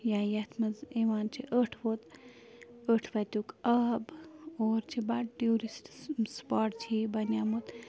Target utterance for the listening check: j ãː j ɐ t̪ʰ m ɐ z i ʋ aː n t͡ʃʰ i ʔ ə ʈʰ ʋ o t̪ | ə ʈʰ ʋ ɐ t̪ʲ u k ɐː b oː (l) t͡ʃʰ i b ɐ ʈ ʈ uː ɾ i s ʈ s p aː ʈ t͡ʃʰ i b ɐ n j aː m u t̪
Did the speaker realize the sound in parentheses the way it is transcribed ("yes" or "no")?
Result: no